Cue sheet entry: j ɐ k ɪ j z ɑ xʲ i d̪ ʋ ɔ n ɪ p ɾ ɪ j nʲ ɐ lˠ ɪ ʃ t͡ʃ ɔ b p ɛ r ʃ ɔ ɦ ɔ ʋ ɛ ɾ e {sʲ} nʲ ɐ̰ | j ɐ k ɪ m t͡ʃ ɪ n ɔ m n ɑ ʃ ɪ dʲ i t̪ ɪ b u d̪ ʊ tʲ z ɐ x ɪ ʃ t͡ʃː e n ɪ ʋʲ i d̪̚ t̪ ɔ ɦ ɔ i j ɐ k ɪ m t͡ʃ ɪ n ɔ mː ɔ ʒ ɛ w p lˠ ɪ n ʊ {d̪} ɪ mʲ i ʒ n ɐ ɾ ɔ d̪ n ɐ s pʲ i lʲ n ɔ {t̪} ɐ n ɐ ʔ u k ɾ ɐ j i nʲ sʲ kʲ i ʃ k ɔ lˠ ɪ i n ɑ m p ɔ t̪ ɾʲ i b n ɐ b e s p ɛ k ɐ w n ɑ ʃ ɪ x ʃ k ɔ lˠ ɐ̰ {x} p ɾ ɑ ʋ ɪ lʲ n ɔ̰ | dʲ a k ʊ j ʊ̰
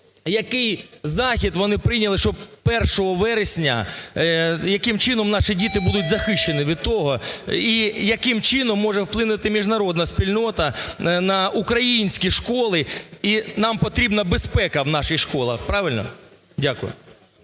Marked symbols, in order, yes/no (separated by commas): yes, no, yes, yes